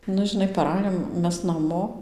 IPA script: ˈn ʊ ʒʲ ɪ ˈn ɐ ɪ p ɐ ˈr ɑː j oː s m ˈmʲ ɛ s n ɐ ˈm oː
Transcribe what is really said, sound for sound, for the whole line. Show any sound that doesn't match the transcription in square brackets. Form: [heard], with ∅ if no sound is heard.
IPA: ˈn ʊ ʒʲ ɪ ˈn ɐ ɪ p ɐ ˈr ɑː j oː [∅] m ˈmʲ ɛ s n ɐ ˈm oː